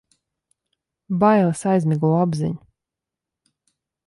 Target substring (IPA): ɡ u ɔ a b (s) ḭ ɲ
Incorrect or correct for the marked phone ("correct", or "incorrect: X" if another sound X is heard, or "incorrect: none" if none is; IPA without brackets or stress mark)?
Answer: incorrect: z